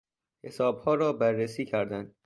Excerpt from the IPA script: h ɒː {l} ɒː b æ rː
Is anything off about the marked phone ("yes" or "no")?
yes